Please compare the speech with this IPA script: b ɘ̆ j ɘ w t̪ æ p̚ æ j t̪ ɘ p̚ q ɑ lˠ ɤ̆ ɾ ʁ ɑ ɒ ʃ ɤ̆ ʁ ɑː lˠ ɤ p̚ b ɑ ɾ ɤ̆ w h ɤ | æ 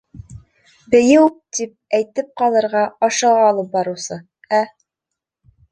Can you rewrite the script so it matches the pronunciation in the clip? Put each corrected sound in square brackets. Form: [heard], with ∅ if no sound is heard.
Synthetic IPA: b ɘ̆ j ɘ w t̪ [i] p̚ æ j t̪ ɘ p̚ q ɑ lˠ ɤ̆ ɾ ʁ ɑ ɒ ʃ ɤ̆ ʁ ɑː lˠ ɤ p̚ b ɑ ɾ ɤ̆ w [s] ɤ | æ